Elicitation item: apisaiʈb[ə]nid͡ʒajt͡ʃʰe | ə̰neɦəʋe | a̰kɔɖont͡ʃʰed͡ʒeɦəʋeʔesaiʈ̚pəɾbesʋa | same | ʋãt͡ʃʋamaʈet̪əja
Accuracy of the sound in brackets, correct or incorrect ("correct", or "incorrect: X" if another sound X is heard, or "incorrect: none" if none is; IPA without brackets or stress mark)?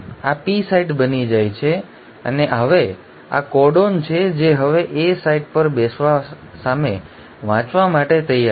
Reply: correct